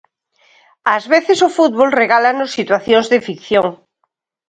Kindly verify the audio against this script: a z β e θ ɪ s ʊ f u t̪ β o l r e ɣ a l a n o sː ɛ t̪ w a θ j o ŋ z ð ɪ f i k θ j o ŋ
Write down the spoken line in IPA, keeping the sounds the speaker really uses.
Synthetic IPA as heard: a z β e θ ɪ s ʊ f u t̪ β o l r e ɣ a l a n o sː i t̪ w a θ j o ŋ z ð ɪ f i k θ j o ŋ